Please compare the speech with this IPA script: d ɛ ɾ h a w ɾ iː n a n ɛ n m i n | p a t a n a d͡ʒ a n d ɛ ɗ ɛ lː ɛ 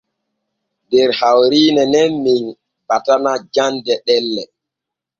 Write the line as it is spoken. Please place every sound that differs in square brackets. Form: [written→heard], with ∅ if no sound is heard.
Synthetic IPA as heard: d ɛ ɾ h a w ɾ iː n [a→ɛ] n ɛ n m i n | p a t a n a d͡ʒ a n d ɛ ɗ ɛ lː ɛ